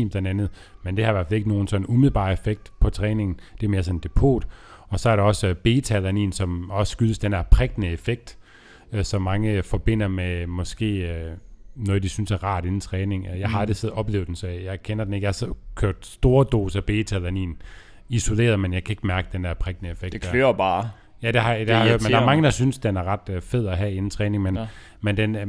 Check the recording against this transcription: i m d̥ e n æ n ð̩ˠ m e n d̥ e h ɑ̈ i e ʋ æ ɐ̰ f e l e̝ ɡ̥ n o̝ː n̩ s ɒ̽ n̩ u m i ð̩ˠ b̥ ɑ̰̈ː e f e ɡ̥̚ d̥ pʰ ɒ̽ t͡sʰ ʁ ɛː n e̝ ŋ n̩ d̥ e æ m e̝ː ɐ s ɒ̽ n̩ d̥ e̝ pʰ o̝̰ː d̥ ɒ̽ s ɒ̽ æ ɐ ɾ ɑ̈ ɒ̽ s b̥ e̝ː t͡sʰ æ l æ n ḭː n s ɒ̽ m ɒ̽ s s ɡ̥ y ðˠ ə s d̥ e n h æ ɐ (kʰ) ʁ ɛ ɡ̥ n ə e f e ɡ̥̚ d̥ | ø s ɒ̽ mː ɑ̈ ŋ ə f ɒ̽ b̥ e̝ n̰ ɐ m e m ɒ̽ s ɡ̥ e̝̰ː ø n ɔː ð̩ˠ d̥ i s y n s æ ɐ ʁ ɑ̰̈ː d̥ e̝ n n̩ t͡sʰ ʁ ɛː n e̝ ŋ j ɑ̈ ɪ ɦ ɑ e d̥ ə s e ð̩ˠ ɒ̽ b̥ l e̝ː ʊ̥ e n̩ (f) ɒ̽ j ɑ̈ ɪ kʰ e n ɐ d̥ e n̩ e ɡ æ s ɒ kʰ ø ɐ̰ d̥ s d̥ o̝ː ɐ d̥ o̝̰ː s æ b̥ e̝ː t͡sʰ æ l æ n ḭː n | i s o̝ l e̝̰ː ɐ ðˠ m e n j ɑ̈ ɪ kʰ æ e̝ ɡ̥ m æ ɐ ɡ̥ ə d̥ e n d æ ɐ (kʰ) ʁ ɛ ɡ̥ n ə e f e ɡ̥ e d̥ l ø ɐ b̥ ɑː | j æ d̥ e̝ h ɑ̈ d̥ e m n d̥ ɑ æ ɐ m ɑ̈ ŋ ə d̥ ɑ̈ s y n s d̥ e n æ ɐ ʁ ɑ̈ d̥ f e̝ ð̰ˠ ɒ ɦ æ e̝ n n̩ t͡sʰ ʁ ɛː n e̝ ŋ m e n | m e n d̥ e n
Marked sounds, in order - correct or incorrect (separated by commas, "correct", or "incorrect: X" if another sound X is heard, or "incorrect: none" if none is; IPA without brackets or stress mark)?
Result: incorrect: pʰ, incorrect: s, incorrect: pʰ